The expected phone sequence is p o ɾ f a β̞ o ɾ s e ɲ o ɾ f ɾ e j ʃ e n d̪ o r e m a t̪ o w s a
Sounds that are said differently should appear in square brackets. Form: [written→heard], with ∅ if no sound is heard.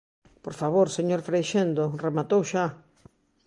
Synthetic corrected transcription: p o ɾ f a β̞ o ɾ s e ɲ o ɾ f ɾ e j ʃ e n d̪ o r e m a t̪ o w [s→ʃ] a